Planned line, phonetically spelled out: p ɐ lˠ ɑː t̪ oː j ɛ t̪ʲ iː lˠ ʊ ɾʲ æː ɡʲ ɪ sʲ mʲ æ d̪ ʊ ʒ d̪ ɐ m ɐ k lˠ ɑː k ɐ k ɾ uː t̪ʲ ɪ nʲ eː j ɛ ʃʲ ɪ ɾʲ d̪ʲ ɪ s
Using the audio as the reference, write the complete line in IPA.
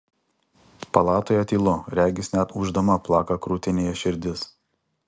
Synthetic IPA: p ɐ lˠ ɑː t̪ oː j ɛ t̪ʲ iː lˠ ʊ ɾʲ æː ɡʲ ɪ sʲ nʲ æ t̪ ʊ ʒ d̪ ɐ m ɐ p lˠ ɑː k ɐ k ɾ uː t̪ʲ ɪ nʲ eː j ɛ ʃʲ ɪ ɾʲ d̪ʲ ɪ s